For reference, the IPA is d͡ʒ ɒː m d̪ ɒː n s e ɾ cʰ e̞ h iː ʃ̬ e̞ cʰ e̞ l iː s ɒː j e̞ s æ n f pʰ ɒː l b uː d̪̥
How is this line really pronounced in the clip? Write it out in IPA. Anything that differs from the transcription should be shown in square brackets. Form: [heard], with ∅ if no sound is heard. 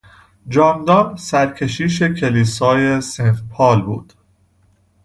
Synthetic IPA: d͡ʒ ɒː m d̪ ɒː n s [æ] ɾ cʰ e̞ [ʃ] iː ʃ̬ e̞ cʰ e̞ l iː s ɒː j e̞ s [e] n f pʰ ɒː l b uː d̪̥